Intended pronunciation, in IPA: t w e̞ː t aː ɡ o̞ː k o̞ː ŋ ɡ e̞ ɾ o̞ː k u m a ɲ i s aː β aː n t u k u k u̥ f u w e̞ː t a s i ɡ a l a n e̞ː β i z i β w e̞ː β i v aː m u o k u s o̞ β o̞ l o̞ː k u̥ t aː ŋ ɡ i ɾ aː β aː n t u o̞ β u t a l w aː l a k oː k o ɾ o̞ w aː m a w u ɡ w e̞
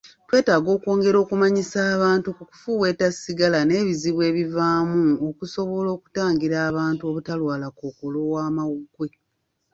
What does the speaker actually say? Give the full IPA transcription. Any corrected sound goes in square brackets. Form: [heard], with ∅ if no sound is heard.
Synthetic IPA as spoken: t w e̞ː t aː ɡ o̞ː k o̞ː ŋ ɡ e̞ ɾ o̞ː k u m a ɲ i s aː β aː n t u k u k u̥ f u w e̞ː t a s i ɡ a l a n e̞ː β i z i β w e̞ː β i v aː m u o k u s o̞ β o̞ l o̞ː k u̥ t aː ŋ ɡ i ɾ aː β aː n t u o̞ β u t a l w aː l a k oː k o [l] o̞ w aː m a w u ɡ w e̞